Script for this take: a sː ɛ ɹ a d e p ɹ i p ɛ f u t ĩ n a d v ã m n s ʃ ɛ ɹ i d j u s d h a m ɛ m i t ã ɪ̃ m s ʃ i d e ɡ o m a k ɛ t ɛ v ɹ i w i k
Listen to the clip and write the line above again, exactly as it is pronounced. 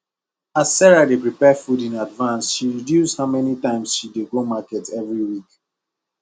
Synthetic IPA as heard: a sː ɛ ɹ a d e p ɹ i p ɛ f u d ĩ n a d v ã n s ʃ i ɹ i d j u s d h a m ɛ n i t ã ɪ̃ m s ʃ i d e ɡ o m a k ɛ t ɛ v ɹ i w i k

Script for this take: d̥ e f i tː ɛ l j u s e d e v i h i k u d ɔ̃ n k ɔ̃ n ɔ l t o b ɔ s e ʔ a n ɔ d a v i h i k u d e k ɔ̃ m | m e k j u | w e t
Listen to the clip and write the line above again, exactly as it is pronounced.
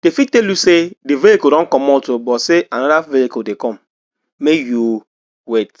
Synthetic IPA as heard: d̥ e f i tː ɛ l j u s e d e v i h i k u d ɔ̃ n k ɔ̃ m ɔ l t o b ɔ s e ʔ a n ɔ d a v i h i k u d e k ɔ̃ m | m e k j u | w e t

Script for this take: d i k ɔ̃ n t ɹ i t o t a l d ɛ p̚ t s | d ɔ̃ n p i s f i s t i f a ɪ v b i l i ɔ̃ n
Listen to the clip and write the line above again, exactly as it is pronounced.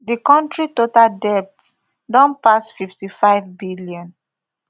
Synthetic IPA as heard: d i k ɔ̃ n t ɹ i t o t a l d ɛ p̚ t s | d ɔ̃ n p a s f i f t i f a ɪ v b i l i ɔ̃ n

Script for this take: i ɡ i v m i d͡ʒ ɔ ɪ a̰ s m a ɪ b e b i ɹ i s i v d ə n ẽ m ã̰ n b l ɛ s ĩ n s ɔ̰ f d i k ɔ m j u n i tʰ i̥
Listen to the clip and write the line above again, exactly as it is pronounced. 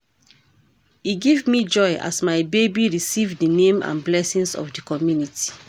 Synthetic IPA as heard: i ɡ i v m i d͡ʒ ɔ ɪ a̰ s m a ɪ b e b i ɹ i s i v d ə n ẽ m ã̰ n b l ɛ s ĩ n s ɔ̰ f d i k ɔ m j u n i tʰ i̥

